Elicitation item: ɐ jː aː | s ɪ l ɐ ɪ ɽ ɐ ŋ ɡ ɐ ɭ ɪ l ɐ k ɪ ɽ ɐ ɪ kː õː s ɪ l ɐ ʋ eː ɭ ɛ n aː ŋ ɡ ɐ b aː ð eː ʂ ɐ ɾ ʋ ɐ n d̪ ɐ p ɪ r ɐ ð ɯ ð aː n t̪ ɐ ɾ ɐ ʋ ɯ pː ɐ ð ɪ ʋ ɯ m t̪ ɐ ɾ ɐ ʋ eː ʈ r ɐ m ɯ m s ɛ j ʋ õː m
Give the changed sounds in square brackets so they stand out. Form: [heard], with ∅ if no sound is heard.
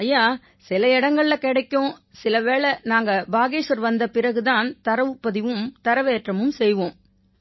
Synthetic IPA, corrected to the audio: ɐ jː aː | s ɪ l ɐ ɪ ɽ ɐ ŋ ɡ ɐ ɭ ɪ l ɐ k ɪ ɽ ɐ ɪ kː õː s ɪ l ɐ ʋ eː ɭ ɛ n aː ŋ ɡ ɐ b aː [ɣ] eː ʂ ɐ ɾ ʋ ɐ n d̪ ɐ p ɪ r ɐ [ɣ] ɯ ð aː n t̪ ɐ ɾ ɐ ʋ ɯ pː ɐ ð ɪ ʋ ɯ m t̪ ɐ ɾ ɐ ʋ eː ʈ r ɐ m ɯ m s ɛ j ʋ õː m